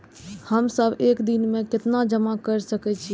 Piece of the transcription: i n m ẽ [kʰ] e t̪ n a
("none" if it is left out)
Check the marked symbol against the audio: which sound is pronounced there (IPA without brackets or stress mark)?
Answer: k